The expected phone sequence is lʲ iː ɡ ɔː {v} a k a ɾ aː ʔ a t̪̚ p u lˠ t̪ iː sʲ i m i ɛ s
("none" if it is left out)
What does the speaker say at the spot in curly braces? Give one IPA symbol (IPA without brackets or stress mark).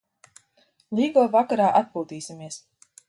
v